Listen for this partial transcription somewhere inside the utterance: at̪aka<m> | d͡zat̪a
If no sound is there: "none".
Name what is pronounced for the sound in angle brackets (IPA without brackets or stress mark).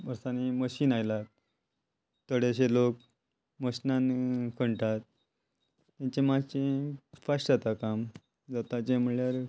m